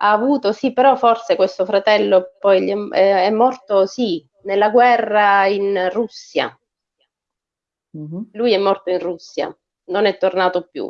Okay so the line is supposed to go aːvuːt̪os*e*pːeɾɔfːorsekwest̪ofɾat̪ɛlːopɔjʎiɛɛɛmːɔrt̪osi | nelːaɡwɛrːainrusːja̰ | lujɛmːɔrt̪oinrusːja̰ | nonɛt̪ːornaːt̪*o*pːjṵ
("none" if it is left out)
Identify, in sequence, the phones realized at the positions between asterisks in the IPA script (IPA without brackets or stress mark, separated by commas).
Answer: i, o